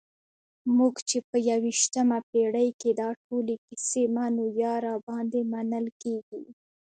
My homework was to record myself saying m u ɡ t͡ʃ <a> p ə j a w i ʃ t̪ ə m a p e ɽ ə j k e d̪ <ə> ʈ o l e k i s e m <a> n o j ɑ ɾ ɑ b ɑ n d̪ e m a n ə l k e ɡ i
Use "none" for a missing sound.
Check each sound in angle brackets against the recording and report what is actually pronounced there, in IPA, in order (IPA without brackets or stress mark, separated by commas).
e, ɑ, a